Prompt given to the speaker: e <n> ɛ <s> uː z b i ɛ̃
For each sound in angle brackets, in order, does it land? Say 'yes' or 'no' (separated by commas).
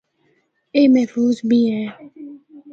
no, no